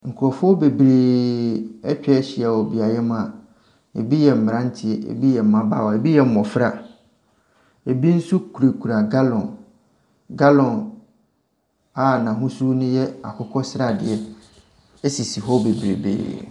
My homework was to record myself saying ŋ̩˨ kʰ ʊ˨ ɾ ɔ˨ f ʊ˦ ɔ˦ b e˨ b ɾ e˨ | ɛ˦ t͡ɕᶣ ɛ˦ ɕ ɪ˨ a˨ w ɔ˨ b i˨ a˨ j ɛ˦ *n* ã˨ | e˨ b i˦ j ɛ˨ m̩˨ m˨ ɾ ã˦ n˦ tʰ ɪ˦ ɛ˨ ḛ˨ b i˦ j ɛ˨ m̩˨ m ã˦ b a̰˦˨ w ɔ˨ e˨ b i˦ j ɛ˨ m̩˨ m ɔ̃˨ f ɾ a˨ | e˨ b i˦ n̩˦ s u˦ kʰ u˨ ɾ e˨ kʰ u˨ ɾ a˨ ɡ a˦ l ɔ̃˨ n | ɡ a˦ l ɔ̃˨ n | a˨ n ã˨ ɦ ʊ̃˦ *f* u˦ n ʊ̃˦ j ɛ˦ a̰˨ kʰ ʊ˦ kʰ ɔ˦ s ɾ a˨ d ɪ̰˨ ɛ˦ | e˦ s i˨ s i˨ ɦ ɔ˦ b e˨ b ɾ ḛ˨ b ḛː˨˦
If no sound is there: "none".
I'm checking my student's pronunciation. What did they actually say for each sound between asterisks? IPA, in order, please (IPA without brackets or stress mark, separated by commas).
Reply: m, s